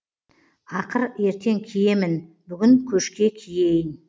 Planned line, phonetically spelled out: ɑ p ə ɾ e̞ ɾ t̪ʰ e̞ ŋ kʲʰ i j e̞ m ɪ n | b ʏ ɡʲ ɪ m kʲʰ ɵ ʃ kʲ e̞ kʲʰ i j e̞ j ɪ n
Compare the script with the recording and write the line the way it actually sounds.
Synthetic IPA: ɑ q ə ɾ e̞ ɾ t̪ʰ e̞ ŋ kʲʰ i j e̞ m ɪ n | b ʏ ɡʲ ɪ ŋ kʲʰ ɵ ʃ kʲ e̞ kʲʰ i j e̞ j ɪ n